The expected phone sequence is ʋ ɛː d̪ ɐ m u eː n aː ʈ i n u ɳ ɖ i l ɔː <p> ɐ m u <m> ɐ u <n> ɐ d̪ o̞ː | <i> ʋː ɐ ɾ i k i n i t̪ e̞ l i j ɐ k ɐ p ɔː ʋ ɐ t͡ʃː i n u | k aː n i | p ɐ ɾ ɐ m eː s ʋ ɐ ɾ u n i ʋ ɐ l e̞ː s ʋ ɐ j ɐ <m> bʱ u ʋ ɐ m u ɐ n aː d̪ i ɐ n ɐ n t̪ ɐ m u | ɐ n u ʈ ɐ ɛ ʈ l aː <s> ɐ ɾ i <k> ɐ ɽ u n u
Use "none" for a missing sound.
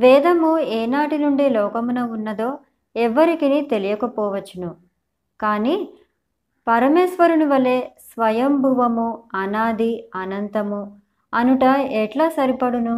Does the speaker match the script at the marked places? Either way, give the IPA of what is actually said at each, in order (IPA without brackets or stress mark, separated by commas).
k, n, nː, ɛ, m, s, p